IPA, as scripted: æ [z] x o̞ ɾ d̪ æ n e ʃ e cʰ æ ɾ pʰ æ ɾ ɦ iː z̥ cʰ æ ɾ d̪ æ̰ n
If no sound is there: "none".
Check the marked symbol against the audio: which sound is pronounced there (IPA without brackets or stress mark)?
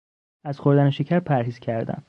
z